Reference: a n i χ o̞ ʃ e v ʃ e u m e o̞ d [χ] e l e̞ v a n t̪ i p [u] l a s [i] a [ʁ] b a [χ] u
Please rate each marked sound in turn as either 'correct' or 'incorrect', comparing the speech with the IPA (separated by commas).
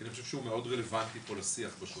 incorrect, incorrect, correct, incorrect, incorrect